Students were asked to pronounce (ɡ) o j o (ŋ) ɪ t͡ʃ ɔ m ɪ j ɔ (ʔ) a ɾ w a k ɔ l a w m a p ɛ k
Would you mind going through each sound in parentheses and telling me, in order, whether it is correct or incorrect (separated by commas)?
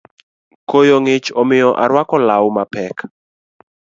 incorrect, correct, correct